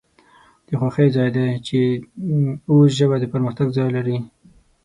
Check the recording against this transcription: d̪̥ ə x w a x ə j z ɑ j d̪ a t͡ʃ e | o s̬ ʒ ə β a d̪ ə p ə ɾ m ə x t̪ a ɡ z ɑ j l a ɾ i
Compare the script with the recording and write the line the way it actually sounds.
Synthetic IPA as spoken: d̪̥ ə x w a x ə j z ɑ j d̪ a t͡ʃ e | o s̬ ʒ ə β a d̪ ə p ə ɾ m ə x t̪ a ɡ z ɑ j l a ɾ i